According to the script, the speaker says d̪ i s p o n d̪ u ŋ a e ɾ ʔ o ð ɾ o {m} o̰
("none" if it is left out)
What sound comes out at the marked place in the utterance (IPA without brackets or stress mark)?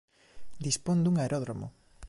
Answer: m